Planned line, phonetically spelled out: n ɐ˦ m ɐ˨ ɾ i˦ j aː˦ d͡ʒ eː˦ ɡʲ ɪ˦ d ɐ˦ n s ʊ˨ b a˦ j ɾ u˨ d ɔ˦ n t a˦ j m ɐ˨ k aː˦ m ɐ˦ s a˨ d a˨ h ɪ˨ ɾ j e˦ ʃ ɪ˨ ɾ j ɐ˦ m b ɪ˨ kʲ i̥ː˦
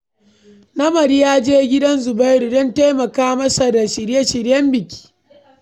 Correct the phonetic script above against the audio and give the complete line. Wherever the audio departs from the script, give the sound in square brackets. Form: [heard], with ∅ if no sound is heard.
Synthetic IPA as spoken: n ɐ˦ m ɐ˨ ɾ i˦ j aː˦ d͡ʒ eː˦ ɡʲ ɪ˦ d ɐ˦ n [z] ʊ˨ b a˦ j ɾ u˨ d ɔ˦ n t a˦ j m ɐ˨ k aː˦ m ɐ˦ s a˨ d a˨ [ʃ] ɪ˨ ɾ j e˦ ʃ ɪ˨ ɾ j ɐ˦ m b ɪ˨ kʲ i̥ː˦